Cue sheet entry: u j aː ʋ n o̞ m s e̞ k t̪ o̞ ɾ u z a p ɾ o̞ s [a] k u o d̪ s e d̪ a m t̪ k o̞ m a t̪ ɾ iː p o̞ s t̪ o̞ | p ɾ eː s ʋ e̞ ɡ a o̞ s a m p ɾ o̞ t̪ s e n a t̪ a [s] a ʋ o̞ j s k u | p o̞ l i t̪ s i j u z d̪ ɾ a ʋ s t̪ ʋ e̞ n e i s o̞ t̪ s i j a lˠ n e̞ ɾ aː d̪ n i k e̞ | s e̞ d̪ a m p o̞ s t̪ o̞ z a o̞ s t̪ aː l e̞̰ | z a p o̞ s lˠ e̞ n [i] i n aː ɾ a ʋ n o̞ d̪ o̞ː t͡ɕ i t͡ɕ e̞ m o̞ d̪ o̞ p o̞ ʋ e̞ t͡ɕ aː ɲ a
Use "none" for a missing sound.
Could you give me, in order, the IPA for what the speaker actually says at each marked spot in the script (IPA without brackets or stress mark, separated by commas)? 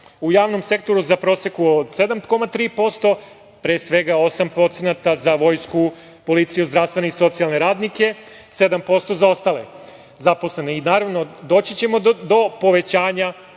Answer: e, z, e